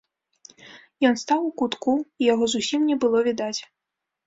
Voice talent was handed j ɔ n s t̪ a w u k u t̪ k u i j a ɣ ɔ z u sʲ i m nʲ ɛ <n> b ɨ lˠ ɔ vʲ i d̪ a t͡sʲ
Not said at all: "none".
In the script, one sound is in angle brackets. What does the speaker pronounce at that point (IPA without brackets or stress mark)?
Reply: none